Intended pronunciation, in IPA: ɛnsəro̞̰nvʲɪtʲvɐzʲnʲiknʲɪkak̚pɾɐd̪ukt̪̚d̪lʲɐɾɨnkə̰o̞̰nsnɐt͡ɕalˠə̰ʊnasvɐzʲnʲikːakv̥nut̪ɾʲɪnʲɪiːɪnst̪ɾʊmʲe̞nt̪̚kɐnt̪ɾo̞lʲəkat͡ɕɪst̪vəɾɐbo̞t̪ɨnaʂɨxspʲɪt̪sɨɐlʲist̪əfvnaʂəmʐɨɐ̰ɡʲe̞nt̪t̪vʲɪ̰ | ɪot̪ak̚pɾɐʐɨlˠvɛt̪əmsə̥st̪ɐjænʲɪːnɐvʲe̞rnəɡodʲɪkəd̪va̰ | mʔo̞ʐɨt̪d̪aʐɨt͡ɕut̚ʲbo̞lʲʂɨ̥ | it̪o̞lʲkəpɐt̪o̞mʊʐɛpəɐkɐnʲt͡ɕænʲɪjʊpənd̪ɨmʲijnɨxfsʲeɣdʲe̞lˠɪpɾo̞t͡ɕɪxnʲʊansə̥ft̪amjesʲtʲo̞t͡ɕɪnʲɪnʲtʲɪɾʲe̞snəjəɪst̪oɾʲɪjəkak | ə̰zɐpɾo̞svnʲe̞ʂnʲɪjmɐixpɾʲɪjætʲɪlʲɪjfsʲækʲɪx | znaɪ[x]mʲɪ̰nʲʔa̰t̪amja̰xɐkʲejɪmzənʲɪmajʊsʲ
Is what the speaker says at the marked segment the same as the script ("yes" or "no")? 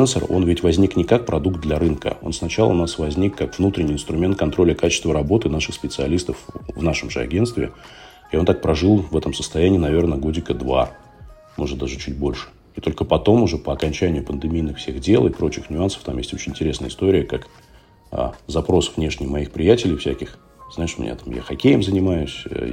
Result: no